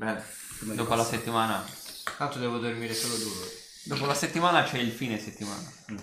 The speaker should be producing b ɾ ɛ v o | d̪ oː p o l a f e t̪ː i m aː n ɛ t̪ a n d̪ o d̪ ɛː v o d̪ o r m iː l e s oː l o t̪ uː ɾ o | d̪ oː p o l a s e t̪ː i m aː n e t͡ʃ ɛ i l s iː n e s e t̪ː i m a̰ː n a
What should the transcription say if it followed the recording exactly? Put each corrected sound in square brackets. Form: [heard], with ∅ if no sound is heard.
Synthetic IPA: b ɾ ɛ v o | d̪ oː p o l a [s] e t̪ː i m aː n [a] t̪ a n [t̪] o d̪ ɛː v o d̪ o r m iː [ɾ] e s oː l o [d̪] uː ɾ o | d̪ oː p o l a s e t̪ː i m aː n [a] t͡ʃ ɛ i l [f] iː n e s e t̪ː i m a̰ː n a